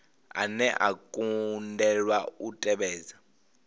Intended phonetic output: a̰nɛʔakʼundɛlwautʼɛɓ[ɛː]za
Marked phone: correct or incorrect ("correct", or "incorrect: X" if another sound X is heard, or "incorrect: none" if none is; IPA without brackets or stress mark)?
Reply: correct